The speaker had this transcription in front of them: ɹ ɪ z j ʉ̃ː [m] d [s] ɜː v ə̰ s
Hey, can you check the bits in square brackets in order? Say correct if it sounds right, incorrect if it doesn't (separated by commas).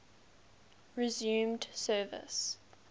correct, correct